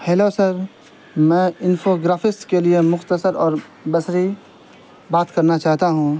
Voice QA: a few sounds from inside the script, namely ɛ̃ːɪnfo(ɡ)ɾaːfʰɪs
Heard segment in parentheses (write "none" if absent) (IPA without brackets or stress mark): ɡ